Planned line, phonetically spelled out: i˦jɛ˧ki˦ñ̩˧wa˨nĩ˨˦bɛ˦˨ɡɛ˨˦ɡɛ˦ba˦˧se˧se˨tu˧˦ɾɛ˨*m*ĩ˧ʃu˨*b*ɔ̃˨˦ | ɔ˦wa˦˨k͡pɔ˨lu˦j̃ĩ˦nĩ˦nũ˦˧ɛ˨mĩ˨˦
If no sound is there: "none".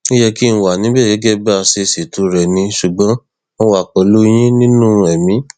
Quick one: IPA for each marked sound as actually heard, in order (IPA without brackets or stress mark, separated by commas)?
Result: n, ɡ͡b